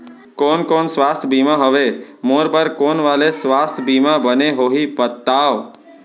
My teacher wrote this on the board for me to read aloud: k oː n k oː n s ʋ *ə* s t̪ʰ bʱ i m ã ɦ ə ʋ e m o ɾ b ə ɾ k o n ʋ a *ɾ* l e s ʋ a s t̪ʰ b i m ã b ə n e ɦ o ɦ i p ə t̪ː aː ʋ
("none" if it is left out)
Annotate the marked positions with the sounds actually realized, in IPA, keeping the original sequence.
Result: a, none

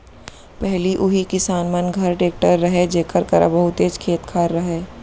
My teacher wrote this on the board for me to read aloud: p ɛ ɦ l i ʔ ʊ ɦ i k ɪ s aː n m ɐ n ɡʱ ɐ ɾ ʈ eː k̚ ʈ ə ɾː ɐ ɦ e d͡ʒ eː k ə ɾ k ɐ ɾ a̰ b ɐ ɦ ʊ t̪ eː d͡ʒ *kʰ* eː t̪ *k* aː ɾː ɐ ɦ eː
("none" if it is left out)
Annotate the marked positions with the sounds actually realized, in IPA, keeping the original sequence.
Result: kʰ, kʰ

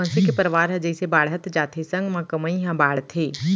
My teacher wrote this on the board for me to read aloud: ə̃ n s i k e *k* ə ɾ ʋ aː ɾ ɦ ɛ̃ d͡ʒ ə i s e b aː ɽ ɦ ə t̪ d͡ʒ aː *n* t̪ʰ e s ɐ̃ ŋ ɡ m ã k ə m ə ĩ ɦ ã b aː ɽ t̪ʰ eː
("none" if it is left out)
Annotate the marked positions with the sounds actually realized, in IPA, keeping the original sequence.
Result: p, none

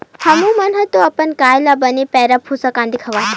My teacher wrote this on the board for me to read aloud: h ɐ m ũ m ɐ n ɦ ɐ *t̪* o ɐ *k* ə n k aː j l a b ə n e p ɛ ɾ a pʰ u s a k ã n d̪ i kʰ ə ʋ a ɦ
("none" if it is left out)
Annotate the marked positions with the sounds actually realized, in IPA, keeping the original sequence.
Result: t̪, p

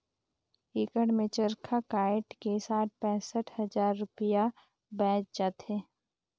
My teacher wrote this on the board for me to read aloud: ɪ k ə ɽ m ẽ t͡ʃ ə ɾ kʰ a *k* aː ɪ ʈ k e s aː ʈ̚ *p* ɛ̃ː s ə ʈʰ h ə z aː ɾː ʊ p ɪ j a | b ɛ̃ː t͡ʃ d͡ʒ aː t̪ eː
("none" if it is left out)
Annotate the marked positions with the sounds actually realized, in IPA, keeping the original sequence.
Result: k, p

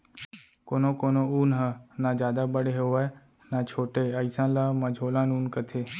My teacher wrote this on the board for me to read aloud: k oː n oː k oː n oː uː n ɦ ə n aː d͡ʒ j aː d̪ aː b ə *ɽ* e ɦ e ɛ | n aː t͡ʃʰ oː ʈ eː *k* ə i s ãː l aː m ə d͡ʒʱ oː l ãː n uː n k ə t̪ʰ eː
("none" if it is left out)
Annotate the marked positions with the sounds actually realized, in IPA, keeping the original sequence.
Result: ɽ, none

